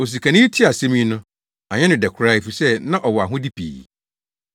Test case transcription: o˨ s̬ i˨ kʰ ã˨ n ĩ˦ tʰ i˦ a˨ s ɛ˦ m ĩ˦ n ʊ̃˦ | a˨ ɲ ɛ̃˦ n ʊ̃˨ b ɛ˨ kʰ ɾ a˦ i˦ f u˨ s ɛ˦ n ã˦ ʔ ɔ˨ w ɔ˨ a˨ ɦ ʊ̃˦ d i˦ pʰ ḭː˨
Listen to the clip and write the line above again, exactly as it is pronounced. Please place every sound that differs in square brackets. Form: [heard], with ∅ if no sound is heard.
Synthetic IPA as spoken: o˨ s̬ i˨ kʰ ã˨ n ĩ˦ tʰ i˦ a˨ s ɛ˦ m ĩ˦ n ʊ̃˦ | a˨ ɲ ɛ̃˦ n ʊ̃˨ [d] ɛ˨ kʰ ɾ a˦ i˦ f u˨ s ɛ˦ n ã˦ ʔ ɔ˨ w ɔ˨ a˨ ɦ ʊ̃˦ d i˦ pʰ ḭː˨